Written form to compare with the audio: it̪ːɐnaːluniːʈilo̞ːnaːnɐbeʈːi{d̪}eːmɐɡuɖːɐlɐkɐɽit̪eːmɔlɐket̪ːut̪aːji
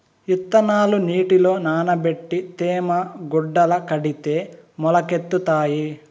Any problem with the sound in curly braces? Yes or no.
yes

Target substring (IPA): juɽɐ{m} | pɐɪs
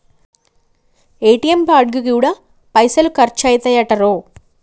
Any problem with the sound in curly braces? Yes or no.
yes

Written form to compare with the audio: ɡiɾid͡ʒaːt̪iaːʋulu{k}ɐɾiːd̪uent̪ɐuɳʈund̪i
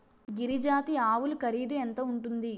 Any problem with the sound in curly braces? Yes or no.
no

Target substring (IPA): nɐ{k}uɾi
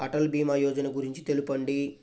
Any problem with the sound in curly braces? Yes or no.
yes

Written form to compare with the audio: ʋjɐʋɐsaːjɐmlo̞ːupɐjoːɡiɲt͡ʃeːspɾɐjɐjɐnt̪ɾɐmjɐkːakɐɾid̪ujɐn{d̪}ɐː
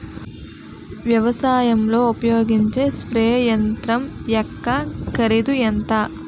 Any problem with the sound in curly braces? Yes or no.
yes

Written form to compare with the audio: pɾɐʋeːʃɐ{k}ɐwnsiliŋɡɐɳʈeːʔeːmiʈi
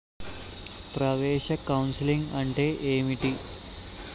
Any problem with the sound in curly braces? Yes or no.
no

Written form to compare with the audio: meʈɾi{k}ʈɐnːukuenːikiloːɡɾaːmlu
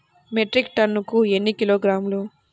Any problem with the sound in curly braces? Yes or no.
no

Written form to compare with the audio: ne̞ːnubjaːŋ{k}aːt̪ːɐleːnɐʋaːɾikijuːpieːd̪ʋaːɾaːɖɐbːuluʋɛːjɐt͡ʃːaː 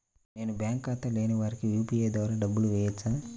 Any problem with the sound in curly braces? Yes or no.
no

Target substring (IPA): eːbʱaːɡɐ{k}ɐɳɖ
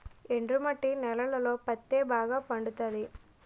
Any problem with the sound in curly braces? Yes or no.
yes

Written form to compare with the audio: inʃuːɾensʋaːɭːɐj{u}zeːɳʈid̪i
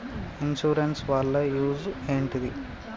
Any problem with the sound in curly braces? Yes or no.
yes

